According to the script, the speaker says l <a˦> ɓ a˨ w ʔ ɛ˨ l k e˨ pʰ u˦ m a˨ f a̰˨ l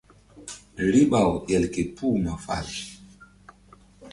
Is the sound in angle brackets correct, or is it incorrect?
incorrect